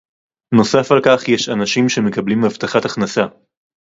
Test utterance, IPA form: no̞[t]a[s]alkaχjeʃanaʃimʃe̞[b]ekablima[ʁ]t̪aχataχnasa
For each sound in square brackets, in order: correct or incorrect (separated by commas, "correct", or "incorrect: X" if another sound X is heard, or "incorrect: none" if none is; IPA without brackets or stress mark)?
incorrect: s, incorrect: f, incorrect: m, incorrect: v